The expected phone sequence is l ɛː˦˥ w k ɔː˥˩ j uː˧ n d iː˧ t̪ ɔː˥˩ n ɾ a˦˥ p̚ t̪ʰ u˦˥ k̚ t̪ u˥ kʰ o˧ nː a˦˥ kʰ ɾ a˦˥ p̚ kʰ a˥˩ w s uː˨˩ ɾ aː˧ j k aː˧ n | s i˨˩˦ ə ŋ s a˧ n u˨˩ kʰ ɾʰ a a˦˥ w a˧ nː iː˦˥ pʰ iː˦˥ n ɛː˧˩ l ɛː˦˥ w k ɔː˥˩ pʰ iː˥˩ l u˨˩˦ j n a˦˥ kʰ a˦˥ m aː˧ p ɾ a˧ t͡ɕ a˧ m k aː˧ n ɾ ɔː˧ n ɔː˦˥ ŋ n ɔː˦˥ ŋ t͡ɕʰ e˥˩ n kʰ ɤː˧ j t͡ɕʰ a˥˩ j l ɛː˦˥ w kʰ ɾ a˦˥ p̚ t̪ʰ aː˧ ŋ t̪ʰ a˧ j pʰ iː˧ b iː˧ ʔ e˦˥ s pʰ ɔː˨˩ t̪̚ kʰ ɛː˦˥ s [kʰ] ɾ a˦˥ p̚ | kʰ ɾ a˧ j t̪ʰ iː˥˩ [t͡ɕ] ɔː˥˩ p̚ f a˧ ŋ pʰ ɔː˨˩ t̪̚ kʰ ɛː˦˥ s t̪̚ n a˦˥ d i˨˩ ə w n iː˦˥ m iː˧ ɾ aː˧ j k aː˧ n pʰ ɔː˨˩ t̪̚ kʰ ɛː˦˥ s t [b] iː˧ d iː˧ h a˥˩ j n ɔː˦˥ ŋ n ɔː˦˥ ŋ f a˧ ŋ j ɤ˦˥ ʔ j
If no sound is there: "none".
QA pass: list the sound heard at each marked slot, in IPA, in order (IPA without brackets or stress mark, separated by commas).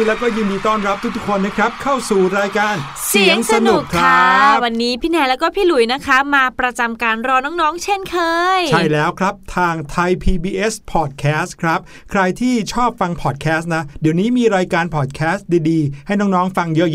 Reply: kʰ, t͡ɕʰ, d